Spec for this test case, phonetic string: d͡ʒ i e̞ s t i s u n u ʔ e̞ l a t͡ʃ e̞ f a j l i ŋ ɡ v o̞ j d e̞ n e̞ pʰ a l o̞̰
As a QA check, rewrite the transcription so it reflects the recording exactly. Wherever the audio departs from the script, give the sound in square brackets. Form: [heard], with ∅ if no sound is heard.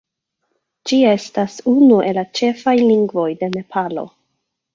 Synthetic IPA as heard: d͡ʒ i e̞ s t [a] s u n u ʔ e̞ l a t͡ʃ e̞ f a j l i ŋ ɡ v o̞ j d e̞ n e̞ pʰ a l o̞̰